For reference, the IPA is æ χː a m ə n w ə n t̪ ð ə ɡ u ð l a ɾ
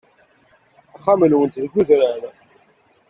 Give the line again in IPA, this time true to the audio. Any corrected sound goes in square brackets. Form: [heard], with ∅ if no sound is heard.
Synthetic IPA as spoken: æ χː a m ə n w ə n t̪ ð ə ɡ u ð [ɾ] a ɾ